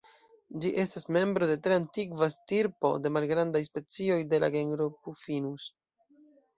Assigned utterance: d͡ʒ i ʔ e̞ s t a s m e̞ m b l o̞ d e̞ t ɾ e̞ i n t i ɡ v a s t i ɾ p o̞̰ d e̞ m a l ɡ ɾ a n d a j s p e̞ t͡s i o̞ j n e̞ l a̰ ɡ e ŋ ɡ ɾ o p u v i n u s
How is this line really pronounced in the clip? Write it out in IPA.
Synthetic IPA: d͡ʒ i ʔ e̞ s t a s m e̞ m b ɾ o̞ d e̞ t ɾ e̞ a n t i ɡ v a s t i ɾ p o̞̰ d e̞ m a l ɡ ɾ a n d a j s p e̞ t͡s i o̞ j d e̞ l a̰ ɡ e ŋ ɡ ɾ o p u f i n u s